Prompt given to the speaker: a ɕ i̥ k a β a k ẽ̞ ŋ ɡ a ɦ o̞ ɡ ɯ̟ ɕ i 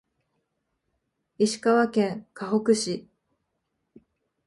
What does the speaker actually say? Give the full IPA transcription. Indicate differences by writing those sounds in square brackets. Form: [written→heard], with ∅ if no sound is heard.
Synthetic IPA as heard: [a→i] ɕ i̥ k a β a k ẽ̞ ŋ [ɡ→k] a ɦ o̞ [ɡ→k] ɯ̟ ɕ i